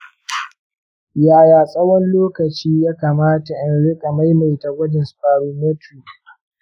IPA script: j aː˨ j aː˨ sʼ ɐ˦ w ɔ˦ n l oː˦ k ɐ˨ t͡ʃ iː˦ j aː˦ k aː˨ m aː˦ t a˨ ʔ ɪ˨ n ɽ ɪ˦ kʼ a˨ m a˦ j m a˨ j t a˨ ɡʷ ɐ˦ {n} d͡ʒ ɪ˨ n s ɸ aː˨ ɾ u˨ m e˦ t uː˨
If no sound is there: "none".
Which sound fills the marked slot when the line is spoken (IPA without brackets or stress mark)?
none